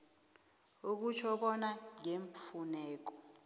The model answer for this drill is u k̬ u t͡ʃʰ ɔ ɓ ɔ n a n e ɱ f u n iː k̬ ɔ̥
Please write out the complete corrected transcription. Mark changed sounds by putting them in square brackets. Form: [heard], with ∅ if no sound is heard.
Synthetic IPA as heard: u k̬ u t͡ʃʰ ɔ ɓ ɔ n a [ŋ] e ɱ f u n [ɛː] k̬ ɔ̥